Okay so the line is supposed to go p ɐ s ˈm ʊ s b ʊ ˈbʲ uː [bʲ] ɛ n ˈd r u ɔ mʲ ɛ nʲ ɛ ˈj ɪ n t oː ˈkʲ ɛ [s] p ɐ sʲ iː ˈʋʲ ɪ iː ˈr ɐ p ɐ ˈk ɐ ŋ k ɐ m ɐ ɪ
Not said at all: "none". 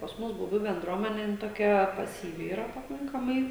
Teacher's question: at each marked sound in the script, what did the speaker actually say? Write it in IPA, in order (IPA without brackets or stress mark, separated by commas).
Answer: bʲ, none